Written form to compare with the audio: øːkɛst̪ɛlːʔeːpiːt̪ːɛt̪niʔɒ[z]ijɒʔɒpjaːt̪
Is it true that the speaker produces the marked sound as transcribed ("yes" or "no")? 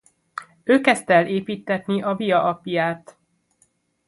no